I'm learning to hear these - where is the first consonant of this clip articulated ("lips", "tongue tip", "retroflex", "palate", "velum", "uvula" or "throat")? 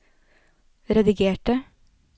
tongue tip